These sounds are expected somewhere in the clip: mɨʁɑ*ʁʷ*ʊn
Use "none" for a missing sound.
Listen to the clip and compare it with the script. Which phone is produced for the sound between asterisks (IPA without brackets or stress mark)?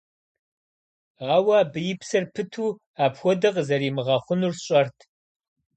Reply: χʷ